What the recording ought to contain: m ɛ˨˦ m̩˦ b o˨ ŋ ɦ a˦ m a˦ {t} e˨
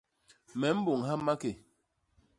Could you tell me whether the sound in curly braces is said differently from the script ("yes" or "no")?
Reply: yes